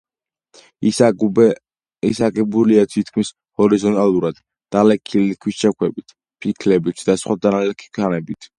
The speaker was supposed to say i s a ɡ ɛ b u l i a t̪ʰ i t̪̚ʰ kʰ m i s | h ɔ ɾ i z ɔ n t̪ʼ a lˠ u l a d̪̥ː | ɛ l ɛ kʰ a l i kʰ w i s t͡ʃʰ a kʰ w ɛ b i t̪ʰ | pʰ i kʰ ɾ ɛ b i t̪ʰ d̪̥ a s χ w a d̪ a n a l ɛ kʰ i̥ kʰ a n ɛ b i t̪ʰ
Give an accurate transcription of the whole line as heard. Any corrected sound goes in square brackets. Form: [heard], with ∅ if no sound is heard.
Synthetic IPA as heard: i s a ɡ ɛ b u l i a t̪ʰ i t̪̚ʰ kʰ m i s | h ɔ ɾ i z ɔ n t̪ʼ a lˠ u [ɾ] a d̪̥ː | [a] l ɛ kʰ [i] l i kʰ w i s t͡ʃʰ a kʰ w ɛ b i t̪ʰ | pʰ i kʰ [l] ɛ b i t̪ʰ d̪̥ a s χ w a d̪ a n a l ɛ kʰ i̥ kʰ a n ɛ b i t̪ʰ